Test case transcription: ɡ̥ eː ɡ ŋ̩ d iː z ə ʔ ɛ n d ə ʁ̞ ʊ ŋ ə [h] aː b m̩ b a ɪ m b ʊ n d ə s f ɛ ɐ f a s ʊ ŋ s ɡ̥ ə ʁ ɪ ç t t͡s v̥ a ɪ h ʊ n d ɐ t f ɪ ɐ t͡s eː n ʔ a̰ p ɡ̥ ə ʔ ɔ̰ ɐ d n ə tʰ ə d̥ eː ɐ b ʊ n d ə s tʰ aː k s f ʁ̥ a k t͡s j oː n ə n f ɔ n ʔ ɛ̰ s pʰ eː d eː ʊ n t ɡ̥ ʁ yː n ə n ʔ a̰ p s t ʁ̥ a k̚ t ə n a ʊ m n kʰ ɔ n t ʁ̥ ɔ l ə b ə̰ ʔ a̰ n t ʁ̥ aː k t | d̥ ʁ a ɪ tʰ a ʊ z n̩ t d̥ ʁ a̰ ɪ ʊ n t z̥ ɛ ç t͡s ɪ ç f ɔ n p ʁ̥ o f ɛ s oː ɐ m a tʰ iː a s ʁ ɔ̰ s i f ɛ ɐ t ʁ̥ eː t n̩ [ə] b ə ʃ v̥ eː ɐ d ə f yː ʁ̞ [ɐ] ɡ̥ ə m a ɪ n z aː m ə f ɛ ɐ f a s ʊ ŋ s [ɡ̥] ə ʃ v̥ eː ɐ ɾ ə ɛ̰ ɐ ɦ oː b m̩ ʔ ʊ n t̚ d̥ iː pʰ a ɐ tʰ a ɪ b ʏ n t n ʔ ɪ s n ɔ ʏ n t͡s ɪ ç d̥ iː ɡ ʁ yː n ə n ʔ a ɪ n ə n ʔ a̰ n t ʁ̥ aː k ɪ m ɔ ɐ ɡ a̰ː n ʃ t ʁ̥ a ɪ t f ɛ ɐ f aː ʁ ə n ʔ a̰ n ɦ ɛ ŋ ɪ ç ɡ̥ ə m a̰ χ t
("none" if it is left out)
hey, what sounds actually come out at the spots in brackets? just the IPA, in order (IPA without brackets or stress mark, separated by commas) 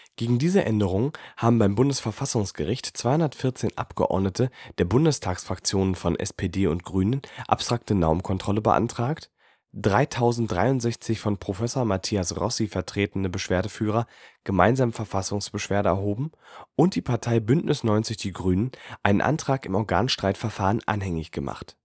h, ə, ɐ, b̥